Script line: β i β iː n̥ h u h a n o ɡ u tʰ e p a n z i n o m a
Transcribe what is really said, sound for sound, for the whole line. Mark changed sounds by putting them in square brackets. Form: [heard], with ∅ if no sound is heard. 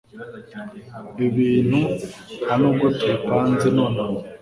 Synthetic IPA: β i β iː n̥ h u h a n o ɡ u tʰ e p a n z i n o [n] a